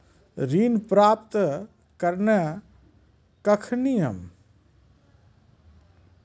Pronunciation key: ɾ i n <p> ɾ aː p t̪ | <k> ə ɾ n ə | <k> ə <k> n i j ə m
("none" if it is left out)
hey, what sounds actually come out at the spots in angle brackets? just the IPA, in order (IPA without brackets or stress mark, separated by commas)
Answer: p, k, k, kʰ